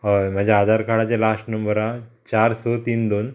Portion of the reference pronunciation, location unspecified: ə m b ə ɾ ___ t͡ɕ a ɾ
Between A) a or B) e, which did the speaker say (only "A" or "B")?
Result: A